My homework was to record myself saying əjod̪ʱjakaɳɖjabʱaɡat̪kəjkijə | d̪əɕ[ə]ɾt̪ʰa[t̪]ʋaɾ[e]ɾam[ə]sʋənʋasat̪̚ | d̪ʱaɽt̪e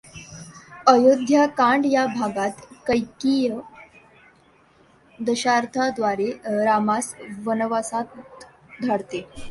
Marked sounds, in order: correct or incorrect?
incorrect, incorrect, correct, incorrect

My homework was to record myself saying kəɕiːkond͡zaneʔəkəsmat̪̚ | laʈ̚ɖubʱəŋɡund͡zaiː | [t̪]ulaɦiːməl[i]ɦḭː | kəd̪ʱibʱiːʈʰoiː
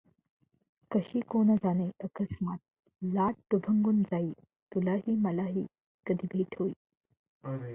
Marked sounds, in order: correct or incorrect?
correct, incorrect

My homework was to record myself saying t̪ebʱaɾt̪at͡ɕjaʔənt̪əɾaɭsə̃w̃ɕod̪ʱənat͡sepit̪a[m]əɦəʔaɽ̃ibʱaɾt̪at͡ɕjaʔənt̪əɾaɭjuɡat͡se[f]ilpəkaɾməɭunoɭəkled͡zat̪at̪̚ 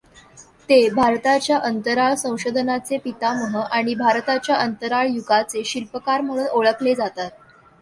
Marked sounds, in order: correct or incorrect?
correct, incorrect

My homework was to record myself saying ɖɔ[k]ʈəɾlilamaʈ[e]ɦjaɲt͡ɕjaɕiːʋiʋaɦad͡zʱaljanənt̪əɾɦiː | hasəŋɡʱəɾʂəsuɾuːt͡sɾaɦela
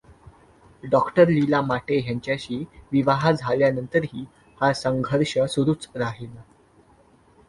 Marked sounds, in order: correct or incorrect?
correct, correct

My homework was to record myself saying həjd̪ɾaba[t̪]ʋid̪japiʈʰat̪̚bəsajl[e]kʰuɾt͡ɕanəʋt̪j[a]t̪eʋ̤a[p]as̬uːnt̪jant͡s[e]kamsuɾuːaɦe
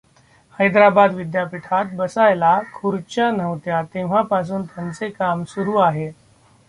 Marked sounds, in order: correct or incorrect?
incorrect, incorrect, correct, correct, correct

